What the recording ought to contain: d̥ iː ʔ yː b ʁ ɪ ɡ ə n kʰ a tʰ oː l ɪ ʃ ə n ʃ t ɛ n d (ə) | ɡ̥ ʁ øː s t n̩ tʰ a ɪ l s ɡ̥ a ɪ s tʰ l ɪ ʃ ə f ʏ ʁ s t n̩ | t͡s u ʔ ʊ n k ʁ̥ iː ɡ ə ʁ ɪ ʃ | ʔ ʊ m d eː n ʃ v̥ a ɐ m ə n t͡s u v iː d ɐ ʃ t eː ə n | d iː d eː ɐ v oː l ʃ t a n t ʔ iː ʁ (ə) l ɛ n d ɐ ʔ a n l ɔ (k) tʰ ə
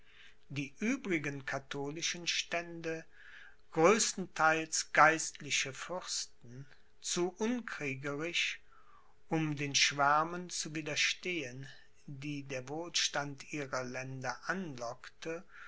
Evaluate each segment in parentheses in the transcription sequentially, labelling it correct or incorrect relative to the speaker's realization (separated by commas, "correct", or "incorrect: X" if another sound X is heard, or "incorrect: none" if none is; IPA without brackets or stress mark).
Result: correct, incorrect: ɐ, correct